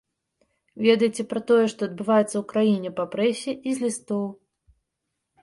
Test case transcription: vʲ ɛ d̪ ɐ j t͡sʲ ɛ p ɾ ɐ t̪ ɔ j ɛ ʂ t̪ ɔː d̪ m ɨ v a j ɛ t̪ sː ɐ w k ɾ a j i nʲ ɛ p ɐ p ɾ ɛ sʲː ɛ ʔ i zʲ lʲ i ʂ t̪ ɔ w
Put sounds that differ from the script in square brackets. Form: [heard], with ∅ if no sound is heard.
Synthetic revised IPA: vʲ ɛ d̪ ɐ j t͡sʲ ɛ p ɾ ɐ t̪ ɔ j ɛ ʂ t̪ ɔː d̪ [b] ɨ v a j ɛ t̪ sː ɐ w k ɾ a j i nʲ ɛ p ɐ p ɾ ɛ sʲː ɛ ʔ i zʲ lʲ i [s] t̪ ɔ w